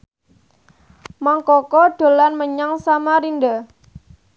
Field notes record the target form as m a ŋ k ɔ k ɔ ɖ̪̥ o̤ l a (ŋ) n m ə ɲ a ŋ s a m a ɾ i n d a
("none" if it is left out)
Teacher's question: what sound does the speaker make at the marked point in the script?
none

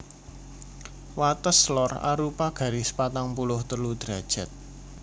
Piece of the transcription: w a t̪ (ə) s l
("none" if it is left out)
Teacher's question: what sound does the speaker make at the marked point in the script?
ə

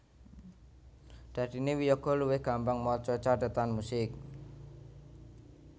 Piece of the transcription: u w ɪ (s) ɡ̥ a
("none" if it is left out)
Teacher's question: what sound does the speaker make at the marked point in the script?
h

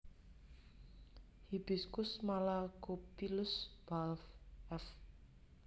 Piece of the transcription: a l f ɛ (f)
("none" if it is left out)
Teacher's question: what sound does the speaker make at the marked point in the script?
f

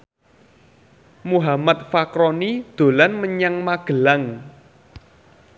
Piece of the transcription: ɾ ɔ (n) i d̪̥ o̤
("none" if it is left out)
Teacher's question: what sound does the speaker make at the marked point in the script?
n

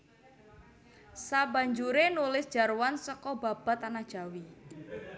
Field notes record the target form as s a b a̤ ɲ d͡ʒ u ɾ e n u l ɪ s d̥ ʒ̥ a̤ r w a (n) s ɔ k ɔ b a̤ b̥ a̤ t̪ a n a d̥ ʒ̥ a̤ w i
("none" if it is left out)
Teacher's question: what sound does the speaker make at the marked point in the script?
n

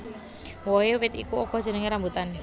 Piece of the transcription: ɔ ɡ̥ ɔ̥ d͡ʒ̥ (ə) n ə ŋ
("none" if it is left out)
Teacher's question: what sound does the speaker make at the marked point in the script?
ə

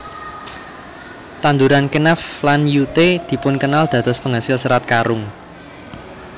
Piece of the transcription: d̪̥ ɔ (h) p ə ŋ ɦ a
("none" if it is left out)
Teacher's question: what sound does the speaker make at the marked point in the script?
s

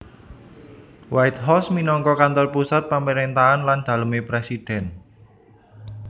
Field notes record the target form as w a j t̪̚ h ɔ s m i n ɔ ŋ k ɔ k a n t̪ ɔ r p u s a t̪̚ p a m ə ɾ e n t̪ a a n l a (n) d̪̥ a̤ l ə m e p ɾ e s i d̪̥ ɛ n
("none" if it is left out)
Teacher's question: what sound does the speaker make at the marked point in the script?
n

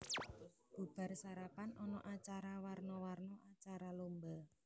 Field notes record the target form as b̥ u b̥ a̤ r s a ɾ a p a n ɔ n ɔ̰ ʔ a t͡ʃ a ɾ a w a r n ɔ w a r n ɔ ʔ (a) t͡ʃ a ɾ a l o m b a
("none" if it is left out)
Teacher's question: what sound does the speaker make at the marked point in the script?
a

